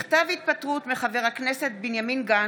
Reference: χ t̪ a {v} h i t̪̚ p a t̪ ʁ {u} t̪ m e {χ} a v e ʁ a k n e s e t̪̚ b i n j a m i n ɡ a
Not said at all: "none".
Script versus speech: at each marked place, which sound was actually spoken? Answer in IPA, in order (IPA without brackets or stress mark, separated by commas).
v, u, χ